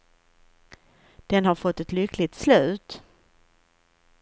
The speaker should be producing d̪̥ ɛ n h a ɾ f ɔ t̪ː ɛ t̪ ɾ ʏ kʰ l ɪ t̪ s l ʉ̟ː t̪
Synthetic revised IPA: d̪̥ ɛ n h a ɾ f ɔ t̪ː ɛ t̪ l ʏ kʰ l ɪ t̪ s l ʉ̟ː t̪